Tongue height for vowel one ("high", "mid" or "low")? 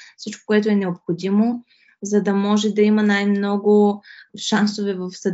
high